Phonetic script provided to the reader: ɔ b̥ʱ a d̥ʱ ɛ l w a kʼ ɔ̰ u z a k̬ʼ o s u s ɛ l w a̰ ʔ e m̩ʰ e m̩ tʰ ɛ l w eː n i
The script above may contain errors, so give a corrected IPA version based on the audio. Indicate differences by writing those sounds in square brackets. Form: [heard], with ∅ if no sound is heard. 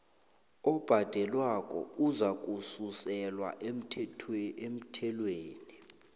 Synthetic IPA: ɔ b̥ʱ a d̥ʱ ɛ l w a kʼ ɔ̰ u z a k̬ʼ [u] s u s ɛ l w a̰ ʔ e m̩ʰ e m̩ tʰ ɛ l w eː n i